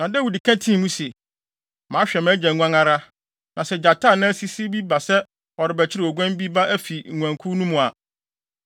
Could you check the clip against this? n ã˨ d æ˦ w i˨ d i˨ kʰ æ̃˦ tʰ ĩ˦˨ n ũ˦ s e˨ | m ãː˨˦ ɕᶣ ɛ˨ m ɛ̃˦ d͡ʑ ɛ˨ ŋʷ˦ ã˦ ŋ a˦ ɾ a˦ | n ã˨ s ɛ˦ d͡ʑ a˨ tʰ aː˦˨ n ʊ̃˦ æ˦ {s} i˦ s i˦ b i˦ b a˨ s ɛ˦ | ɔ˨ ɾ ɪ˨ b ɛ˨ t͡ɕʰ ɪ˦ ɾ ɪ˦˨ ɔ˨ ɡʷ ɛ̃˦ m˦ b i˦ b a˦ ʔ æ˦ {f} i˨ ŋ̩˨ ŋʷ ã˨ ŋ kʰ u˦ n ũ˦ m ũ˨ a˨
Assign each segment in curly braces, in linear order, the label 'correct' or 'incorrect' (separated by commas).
correct, correct